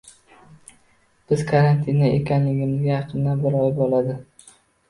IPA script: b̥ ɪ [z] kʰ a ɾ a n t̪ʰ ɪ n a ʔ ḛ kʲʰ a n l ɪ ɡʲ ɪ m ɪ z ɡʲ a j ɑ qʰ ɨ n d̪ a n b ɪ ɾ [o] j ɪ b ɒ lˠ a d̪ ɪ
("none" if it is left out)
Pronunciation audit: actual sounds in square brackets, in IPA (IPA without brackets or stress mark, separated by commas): z, ɒ